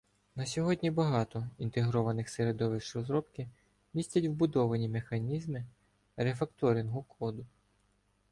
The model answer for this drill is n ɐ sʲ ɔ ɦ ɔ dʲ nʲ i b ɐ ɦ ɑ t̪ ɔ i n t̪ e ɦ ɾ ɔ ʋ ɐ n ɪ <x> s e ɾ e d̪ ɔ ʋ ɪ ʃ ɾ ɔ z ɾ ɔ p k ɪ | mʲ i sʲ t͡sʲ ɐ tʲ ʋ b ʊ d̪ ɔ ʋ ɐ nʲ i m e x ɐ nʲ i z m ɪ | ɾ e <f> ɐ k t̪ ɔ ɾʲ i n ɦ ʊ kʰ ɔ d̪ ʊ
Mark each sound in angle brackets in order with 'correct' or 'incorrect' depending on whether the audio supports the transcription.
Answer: correct, correct

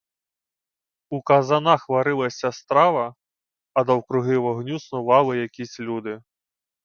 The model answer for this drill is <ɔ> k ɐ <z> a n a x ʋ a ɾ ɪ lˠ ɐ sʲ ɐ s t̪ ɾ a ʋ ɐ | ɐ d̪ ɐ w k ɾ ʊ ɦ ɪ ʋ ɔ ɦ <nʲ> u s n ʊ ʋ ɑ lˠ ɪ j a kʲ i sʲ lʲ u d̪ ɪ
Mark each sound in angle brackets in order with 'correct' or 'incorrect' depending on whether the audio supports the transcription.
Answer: incorrect: u, correct, correct

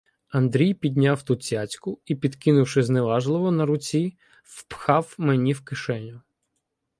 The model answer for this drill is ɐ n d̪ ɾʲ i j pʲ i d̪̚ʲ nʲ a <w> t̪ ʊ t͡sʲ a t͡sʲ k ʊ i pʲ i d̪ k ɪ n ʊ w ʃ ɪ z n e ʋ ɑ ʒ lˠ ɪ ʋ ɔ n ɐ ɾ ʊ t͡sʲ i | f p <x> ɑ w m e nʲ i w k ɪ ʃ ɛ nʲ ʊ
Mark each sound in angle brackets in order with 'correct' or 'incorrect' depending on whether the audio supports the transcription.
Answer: correct, correct

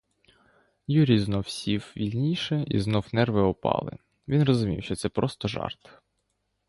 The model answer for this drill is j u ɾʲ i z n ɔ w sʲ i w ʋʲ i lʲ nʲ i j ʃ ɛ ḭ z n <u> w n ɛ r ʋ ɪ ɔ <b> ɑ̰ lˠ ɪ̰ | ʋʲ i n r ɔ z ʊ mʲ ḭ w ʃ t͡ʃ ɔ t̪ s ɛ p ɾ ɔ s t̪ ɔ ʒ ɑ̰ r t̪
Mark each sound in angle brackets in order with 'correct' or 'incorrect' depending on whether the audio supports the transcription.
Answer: incorrect: ɔ, incorrect: p

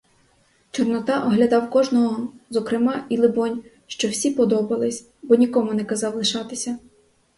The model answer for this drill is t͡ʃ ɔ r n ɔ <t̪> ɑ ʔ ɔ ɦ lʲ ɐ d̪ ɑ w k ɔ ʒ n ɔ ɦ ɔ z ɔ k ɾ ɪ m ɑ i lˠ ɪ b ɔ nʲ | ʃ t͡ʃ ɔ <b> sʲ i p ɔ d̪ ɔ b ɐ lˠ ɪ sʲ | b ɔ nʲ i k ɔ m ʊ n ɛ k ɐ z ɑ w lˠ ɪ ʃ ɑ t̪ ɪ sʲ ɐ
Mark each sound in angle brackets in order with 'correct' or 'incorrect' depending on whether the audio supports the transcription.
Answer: correct, incorrect: w

